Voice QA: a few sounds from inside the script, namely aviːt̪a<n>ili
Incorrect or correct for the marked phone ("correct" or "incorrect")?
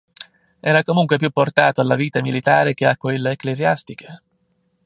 incorrect